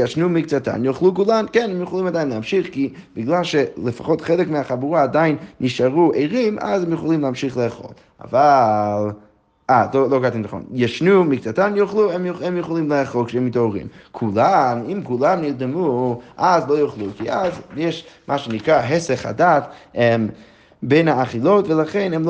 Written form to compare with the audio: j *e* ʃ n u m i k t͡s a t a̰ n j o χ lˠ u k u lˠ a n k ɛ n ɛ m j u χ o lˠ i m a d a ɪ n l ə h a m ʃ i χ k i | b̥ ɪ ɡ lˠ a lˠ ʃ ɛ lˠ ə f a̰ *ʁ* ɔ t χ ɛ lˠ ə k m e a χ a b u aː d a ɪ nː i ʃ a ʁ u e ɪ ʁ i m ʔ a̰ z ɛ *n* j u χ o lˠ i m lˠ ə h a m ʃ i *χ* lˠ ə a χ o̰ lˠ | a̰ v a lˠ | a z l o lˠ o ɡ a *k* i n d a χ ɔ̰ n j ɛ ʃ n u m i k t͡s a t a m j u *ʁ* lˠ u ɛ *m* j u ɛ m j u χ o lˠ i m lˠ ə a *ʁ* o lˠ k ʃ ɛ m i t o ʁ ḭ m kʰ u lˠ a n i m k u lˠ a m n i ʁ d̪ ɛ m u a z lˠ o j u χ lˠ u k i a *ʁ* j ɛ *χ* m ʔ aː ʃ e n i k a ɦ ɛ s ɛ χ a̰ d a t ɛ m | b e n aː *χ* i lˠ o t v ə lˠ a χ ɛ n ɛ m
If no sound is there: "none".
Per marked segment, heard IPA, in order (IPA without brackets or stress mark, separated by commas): a, χ, m, χ, t, χ, m, χ, z, ʃ, χ